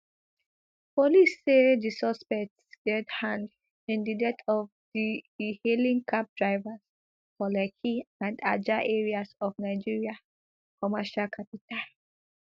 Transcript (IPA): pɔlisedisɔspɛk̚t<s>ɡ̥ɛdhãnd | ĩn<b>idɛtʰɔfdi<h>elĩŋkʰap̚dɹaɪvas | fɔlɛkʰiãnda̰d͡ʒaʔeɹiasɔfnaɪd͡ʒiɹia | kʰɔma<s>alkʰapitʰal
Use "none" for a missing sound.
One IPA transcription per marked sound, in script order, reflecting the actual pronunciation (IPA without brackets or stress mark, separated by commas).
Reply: s, d, h, ʃ